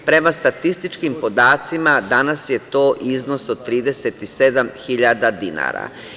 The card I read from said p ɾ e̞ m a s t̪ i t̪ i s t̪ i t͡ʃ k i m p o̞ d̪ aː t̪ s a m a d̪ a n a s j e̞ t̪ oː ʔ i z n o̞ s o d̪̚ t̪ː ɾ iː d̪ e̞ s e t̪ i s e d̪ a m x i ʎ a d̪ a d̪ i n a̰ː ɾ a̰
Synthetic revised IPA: p ɾ e̞ m a s t̪ a t̪ i s t̪ i t͡ʃ k i m p o̞ d̪ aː t̪ s i m a d̪ a n a s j e̞ t̪ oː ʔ i z n o̞ s o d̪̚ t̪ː ɾ iː d̪ e̞ s e t̪ i s e d̪ a m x i ʎ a d̪ a d̪ i n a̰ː ɾ a̰